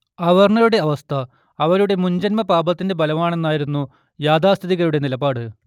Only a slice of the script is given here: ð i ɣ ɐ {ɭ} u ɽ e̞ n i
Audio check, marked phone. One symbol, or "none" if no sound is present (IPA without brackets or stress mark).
ɾ